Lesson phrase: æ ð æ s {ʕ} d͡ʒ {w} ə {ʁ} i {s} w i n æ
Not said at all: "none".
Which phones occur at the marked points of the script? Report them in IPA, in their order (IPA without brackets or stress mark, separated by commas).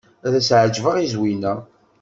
ʕ, v, ʁ, z